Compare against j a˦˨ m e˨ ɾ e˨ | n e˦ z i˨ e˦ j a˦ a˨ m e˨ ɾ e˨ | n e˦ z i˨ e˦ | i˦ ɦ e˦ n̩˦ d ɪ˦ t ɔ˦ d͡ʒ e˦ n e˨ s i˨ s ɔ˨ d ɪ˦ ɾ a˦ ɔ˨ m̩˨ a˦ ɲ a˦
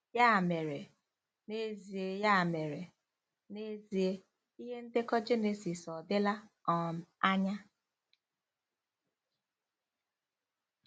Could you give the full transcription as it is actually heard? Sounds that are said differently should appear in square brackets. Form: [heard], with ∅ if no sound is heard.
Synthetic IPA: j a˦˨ m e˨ ɾ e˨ | n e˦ z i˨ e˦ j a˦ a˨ m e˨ ɾ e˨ | n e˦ z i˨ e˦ | i˦ ɦ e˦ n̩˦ d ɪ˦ [k] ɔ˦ d͡ʒ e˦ n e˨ s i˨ s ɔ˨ d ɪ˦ [l] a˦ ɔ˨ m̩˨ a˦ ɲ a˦